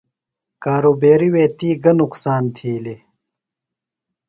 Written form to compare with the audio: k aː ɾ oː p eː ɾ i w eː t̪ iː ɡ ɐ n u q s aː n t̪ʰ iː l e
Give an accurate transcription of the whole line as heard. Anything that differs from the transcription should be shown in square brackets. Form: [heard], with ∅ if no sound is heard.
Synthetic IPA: k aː ɾ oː [b] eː ɾ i w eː t̪ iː ɡ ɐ n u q s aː n t̪ʰ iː l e